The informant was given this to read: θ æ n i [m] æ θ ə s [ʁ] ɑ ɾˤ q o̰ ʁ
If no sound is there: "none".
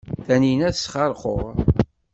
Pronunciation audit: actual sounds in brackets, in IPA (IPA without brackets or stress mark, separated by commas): n, χ